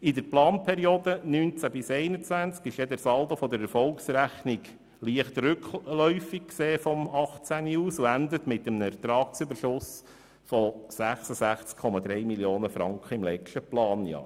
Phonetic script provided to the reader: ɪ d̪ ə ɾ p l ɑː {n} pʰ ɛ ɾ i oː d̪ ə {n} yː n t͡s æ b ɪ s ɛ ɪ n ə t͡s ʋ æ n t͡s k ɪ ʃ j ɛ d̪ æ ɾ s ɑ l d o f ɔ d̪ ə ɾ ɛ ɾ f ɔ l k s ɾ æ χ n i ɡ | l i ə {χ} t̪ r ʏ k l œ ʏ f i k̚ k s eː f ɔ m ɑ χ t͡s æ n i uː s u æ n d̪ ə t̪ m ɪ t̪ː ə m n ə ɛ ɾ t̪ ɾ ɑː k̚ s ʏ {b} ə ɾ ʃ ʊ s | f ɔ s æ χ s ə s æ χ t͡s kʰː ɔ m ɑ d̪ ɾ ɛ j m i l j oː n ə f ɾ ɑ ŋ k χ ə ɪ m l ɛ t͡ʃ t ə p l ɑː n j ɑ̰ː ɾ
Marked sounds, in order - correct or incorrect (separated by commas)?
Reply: correct, correct, correct, correct